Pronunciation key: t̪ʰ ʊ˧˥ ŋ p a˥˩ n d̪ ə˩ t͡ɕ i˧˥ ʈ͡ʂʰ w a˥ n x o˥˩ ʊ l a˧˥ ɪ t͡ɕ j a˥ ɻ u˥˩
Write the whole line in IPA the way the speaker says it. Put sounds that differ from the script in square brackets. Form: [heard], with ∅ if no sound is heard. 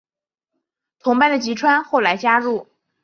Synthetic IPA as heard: t̪ʰ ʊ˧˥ ŋ p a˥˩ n d̪ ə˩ t͡ɕ i˧˥ ʈ͡ʂʰ w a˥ n x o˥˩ ʊ l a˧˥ ɪ t͡ɕ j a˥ ɻ u˥˩